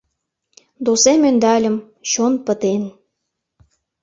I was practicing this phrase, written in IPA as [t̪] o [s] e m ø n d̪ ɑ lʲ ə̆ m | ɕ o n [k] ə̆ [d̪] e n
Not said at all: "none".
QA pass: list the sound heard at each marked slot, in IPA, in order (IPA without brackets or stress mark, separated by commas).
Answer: d̪, s, p, t̪